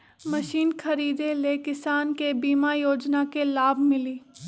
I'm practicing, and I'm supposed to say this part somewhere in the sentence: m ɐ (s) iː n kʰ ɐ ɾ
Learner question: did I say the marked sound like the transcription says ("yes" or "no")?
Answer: no